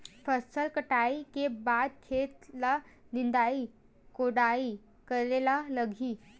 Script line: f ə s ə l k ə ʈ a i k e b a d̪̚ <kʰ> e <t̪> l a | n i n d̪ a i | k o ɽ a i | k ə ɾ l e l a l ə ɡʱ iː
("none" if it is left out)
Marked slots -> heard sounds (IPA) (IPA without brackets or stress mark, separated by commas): kʰ, t̪